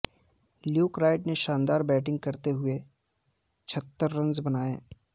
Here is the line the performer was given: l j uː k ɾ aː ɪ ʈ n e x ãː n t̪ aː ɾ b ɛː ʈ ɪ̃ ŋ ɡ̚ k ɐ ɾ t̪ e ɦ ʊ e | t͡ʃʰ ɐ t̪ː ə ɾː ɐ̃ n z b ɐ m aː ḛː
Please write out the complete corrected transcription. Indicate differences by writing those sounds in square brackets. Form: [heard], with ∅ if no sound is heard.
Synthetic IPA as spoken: l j uː k ɾ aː ɪ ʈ n e [ʃ] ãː n [d̪] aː ɾ b ɛː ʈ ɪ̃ ŋ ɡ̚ k ɐ ɾ t̪ e ɦ ʊ e | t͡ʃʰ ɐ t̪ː ə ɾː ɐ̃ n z b ɐ [n] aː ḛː

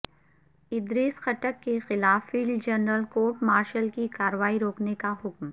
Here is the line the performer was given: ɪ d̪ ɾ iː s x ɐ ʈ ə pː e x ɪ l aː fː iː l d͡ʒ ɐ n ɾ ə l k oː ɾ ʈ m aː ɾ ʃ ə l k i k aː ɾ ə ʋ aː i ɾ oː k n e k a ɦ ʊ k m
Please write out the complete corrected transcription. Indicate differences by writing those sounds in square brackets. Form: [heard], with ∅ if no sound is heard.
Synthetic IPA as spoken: ɪ d̪ ɾ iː s x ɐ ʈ ə [kː] e x ɪ l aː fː iː l d͡ʒ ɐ n ɾ ə l k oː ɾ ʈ m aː ɾ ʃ ə l k i k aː ɾ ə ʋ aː i ɾ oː k n e k a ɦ ʊ k m

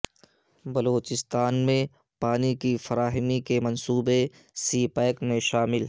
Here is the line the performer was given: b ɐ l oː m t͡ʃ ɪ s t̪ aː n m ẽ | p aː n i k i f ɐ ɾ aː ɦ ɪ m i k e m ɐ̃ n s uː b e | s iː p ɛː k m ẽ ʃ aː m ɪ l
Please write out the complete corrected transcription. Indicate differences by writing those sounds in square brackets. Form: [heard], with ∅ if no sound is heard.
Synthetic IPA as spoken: b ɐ l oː [∅] t͡ʃ ɪ s t̪ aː n m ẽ | p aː n i k i f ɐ ɾ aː ɦ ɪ m i k e m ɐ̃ n s uː b e | s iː p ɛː k m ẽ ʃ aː m ɪ l

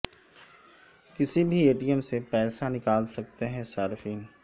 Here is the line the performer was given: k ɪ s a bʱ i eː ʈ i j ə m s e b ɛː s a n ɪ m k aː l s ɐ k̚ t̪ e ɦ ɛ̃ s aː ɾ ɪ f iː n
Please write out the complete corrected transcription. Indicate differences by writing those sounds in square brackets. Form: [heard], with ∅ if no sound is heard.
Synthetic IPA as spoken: k ɪ s [i] bʱ i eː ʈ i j ə m s e [p] ɛː s a n ɪ [∅] k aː l s ɐ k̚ t̪ e ɦ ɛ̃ s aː ɾ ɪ f iː n

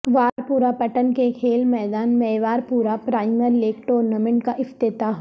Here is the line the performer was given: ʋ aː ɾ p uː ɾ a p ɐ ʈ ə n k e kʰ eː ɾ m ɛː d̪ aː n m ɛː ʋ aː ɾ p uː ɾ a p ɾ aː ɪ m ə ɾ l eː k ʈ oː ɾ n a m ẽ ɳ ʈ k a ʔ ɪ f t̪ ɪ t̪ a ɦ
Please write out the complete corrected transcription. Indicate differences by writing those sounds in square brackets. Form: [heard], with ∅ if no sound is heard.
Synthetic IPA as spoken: ʋ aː ɾ p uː ɾ a p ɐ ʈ ə n k e kʰ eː [l] m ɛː d̪ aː n m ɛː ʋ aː ɾ p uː ɾ a p ɾ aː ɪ m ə ɾ l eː k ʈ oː ɾ n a m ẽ ɳ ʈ k a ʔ ɪ f t̪ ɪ t̪ a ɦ

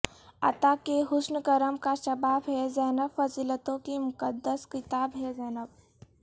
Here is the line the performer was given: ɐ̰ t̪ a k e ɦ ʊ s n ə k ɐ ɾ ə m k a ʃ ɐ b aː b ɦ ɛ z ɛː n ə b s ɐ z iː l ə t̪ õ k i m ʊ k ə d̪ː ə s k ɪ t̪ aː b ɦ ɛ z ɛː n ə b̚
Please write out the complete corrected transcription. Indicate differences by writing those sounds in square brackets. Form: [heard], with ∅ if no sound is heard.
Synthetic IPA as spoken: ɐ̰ t̪ a k e ɦ ʊ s n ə k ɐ ɾ ə m k a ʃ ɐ b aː b ɦ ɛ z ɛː n ə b [f] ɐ z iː l ə t̪ õ k i m ʊ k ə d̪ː ə s k ɪ t̪ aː b ɦ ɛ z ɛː n ə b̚

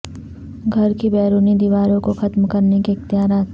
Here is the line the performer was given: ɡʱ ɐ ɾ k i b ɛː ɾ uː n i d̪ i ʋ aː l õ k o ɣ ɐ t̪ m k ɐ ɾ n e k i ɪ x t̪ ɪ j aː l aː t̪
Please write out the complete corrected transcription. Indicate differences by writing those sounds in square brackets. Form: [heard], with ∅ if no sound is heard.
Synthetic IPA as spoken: ɡʱ ɐ ɾ k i b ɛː ɾ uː n i d̪ i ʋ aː [ɾ] õ k o [x] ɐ t̪ m k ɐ ɾ n e k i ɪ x t̪ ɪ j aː [ɾ] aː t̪

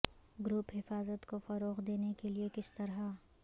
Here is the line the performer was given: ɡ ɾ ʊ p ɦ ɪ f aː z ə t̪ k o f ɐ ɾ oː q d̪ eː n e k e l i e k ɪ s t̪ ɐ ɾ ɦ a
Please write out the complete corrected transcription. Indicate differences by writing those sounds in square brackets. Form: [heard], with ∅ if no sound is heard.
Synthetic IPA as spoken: ɡ ɾ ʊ p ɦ ɪ f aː z ə t̪ k o f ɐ ɾ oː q d̪ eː n e k e l i e k ɪ s t̪ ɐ ɾ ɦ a

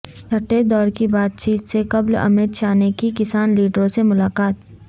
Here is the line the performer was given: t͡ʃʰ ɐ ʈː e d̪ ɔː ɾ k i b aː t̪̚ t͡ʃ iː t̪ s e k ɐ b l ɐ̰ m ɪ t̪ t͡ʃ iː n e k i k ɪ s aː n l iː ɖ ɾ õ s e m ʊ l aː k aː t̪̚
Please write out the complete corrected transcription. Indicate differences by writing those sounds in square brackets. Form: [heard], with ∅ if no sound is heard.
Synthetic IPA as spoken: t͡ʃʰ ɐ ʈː e d̪ ɔː ɾ k i b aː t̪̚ t͡ʃ iː t̪ s e k ɐ b l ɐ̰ m ɪ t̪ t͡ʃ [aː] n e k i k ɪ s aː n l iː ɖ ɾ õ s e m ʊ l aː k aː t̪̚

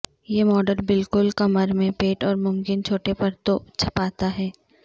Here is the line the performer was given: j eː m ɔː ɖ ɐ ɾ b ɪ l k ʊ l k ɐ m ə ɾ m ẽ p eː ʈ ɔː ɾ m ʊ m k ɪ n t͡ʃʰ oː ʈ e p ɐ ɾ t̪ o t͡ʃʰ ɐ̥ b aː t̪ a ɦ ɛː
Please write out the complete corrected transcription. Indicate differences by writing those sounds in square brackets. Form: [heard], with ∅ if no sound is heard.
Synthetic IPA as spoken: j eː m ɔː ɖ [ə] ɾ b ɪ l k ʊ l k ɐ m ə ɾ m ẽ p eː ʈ ɔː ɾ m ʊ m k ɪ n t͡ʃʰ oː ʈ e p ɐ ɾ t̪ o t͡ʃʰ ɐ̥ [p] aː t̪ a ɦ ɛː

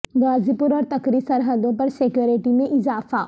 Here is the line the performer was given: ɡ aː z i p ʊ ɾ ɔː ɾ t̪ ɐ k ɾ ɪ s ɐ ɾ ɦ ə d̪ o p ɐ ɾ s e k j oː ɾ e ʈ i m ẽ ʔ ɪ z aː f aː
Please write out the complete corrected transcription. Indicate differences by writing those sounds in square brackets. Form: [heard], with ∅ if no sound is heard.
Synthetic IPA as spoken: ɡ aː z i p ʊ ɾ ɔː ɾ t̪ ɐ k ɾ [i] s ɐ ɾ ɦ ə d̪ [õ] p ɐ ɾ s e k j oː ɾ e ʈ i m ẽ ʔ ɪ z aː f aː

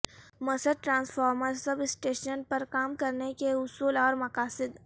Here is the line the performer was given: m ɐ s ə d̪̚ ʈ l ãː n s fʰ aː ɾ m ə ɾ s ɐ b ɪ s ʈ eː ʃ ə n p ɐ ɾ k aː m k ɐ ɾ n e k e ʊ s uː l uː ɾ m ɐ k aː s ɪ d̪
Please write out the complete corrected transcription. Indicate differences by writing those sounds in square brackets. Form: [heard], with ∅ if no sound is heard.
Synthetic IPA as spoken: m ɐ s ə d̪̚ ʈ [ɾ] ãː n s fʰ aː ɾ m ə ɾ s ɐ b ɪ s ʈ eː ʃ ə n p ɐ ɾ k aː m k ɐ ɾ n e k e ʊ s uː l [ɔː] ɾ m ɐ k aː s ɪ d̪

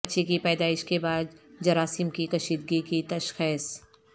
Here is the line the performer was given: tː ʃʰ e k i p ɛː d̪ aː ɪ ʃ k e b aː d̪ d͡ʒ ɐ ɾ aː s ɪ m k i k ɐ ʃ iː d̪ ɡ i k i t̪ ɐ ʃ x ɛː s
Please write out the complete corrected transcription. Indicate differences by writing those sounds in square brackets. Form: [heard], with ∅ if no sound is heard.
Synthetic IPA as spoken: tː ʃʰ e k i p ɛː d̪ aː ɪ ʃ k e b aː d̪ d͡ʒ ɐ ɾ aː s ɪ m k i k ɐ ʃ iː d̪ ɡ i k i t̪ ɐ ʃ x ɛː s

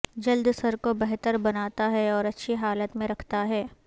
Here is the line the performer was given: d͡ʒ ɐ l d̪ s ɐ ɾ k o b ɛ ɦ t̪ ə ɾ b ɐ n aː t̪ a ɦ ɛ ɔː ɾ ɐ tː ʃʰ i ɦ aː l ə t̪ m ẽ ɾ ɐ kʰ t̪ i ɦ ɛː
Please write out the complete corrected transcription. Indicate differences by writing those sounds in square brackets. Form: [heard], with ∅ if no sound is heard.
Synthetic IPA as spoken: d͡ʒ ɐ l d̪ s ɐ ɾ k o b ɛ ɦ t̪ ə ɾ b ɐ n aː t̪ a ɦ ɛ ɔː ɾ ɐ tː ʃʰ i ɦ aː l ə t̪ m ẽ ɾ ɐ kʰ t̪ [a] ɦ ɛː

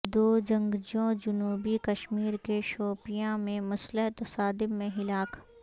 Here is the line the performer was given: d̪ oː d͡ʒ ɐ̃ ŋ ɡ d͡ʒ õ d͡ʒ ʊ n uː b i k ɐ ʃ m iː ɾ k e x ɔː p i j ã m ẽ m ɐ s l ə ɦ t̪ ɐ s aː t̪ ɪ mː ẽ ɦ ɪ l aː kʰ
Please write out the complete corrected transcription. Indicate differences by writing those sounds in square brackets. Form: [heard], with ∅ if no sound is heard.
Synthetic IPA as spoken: d̪ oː d͡ʒ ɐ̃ ŋ ɡ d͡ʒ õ d͡ʒ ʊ n uː b i k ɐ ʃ m iː ɾ k e [ʃ] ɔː p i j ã m ẽ m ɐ s l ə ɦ t̪ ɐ s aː [d̪] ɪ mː ẽ ɦ ɪ l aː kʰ

